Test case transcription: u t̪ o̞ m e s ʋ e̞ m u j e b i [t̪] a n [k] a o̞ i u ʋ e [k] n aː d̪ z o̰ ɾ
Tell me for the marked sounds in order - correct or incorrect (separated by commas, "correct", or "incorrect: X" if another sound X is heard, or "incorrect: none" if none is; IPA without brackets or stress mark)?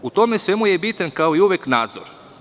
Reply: correct, correct, correct